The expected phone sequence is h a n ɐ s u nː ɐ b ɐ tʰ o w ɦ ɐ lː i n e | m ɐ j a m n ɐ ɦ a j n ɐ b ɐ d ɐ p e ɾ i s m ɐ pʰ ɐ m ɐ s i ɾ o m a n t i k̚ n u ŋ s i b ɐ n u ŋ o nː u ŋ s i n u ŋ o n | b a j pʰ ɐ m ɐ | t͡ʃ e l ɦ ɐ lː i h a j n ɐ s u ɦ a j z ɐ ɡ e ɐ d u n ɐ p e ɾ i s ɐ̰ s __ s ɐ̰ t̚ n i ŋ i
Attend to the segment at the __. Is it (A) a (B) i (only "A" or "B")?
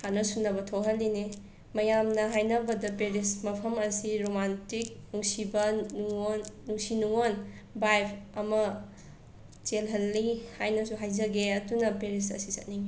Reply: B